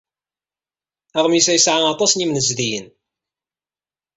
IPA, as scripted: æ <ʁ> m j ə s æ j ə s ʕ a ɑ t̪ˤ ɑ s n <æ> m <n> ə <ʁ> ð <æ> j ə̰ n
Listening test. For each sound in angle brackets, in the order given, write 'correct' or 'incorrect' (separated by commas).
correct, incorrect, correct, incorrect, incorrect